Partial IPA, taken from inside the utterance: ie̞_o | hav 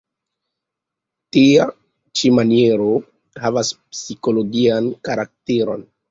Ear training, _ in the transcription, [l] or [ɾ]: ɾ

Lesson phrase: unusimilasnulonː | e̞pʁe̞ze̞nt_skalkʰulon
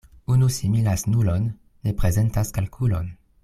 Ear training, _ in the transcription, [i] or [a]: a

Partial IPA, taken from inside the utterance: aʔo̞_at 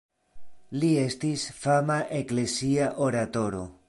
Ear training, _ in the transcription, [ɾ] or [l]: ɾ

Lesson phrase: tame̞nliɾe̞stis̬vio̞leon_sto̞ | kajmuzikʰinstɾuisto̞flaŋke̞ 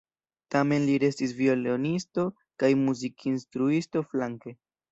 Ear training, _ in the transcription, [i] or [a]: i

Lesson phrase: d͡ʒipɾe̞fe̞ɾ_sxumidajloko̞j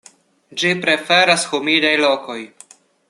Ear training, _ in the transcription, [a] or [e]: a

